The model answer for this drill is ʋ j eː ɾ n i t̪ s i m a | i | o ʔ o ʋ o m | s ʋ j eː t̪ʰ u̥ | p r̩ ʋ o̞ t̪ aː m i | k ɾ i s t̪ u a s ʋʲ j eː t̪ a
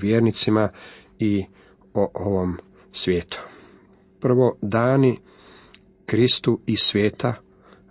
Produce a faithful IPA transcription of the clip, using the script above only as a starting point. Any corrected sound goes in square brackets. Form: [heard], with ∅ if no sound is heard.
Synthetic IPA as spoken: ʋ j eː ɾ n i t̪ s i m a | i | o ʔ o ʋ o m | s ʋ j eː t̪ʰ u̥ | p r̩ ʋ o̞ [d̪] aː [n] i | k ɾ i s t̪ u [i] s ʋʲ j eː t̪ a